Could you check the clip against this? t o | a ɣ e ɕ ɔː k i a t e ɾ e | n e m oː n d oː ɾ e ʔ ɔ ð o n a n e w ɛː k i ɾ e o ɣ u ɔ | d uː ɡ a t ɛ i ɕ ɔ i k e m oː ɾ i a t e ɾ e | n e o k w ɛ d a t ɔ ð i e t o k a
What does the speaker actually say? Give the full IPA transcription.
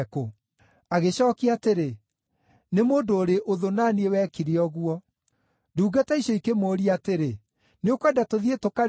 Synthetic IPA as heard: k o | a ɣ e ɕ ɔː k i a t e ɾ e | n e m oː n d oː ɾ e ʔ o ð o n a n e w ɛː k i ɾ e ɔ ɣ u ɔ | d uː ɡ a t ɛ i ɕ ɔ i k e m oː ɾ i a t e ɾ e | n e o k w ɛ d a t o ð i e t o k a